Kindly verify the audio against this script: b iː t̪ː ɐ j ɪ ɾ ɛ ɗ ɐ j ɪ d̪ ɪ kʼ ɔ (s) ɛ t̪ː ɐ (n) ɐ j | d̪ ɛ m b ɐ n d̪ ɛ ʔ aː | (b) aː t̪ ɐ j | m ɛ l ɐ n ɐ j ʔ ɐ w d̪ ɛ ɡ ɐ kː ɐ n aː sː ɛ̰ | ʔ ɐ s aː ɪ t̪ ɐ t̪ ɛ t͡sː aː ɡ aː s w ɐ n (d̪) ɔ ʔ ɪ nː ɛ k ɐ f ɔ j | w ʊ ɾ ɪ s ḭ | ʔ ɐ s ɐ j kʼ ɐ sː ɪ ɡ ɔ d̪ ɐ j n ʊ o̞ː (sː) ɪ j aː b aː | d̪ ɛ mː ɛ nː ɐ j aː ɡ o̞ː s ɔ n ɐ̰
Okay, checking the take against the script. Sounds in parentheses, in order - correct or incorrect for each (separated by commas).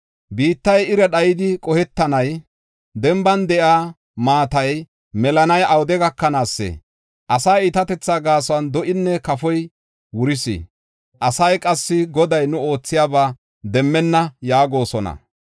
incorrect, correct, incorrect, correct, incorrect